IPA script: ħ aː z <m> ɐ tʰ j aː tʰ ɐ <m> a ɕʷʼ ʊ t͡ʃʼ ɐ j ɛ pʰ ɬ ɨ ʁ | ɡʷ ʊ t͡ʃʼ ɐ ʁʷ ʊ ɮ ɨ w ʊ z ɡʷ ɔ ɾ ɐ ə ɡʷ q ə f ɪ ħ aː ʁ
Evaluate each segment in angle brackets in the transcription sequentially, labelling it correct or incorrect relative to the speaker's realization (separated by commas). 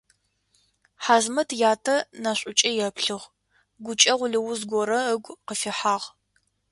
correct, incorrect